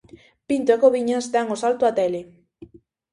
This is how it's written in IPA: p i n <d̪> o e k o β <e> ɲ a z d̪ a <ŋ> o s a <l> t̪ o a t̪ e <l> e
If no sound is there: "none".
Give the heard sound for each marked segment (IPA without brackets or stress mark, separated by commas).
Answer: t̪, i, ŋ, l, l